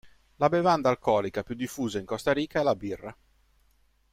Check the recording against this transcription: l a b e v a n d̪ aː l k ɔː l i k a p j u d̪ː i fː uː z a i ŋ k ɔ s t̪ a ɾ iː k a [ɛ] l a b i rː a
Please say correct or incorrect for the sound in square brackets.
correct